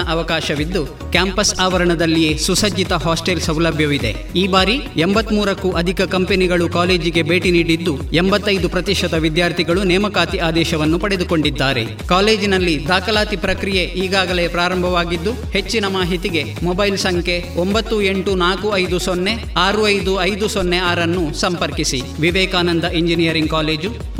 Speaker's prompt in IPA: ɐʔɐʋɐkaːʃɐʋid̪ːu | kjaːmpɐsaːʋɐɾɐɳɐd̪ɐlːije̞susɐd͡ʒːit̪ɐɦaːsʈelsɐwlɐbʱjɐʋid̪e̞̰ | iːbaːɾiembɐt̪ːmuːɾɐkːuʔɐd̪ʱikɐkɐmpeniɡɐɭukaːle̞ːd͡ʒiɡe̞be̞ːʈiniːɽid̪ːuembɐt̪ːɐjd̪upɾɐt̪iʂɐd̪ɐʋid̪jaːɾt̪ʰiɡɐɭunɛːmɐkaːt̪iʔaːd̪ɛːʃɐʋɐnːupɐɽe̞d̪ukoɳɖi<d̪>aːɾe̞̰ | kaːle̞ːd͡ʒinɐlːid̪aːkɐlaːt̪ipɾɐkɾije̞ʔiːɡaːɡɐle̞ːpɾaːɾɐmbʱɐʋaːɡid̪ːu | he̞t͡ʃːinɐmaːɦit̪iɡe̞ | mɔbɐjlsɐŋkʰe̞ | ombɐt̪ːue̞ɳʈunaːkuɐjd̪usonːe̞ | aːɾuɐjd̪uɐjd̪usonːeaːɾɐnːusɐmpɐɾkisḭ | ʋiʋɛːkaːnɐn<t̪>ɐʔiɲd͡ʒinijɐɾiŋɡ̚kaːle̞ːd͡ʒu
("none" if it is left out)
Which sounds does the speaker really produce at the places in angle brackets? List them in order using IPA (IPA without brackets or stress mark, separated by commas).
d̪ː, d̪